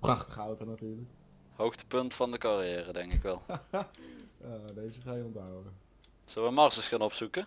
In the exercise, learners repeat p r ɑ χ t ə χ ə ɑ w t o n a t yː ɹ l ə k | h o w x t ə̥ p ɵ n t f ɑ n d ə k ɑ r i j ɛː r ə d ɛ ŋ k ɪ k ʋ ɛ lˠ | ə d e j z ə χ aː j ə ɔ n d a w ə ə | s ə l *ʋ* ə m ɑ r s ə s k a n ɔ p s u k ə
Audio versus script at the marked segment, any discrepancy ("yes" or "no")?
no